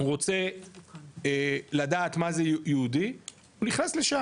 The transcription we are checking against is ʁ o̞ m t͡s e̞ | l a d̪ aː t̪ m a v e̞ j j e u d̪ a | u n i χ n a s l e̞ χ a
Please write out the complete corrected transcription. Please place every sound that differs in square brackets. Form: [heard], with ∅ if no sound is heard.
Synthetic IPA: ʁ o̞ [∅] t͡s e̞ | l a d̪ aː t̪ m a [z] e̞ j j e u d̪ [i] | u n i χ n a s l e̞ [ʃ] a